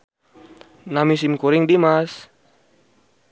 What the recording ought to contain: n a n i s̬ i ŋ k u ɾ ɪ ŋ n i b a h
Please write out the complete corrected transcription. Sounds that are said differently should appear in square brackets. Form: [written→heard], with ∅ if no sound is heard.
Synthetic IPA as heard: n a [n→m] i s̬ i [ŋ→m] k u ɾ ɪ ŋ [n→d] i [b→m] a [h→s]